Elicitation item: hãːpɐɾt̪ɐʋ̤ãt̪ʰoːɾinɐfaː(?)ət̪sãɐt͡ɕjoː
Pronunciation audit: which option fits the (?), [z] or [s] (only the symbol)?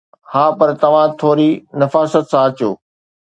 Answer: s